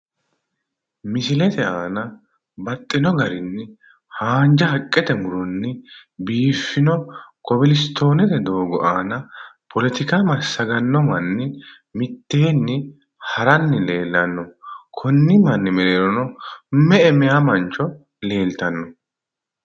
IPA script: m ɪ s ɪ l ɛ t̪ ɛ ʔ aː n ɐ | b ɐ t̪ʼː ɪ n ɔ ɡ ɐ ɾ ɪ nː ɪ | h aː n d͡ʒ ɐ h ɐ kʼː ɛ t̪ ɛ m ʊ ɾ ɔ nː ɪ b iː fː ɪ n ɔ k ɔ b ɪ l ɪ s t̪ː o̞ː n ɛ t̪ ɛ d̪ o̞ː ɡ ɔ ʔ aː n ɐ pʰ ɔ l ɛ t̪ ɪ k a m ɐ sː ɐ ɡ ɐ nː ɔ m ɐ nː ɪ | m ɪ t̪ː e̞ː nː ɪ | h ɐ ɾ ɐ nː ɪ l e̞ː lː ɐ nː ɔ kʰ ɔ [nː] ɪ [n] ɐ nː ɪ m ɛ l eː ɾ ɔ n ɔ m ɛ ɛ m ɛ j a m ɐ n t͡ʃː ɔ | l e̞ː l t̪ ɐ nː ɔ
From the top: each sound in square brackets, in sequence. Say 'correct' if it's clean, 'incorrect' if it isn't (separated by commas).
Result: correct, incorrect